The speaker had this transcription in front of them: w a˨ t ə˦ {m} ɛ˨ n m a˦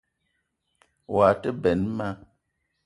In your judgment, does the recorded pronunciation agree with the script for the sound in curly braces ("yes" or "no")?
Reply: no